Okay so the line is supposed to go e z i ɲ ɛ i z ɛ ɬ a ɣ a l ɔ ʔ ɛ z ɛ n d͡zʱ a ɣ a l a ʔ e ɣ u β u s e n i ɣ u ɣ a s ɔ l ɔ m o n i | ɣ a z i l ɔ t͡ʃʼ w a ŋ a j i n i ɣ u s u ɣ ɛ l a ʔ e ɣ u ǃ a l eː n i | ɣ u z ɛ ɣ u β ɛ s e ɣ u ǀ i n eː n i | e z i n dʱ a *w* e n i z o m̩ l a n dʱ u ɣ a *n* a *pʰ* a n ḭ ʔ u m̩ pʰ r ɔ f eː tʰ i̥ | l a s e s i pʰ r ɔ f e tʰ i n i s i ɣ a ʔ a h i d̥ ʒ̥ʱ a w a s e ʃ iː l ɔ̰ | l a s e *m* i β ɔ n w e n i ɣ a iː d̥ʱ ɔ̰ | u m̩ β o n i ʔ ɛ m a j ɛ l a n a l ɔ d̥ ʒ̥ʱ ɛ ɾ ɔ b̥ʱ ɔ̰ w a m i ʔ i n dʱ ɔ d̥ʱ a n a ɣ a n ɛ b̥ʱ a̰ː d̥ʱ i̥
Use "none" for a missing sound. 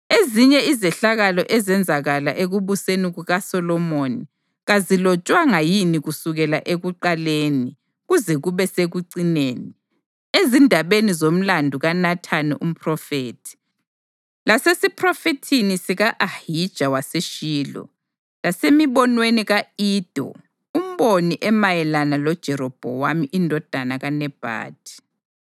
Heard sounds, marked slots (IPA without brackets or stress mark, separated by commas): β, n, tʰ, m